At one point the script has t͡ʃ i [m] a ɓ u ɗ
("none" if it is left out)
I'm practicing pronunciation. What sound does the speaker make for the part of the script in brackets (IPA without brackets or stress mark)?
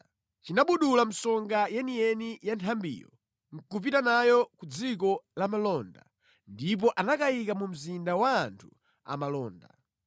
n